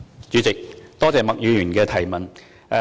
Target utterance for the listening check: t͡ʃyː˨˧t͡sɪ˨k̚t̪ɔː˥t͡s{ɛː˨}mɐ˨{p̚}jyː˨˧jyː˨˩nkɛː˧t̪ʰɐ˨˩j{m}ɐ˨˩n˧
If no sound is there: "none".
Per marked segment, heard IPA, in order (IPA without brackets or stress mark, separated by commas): ɛː˨, k̚, m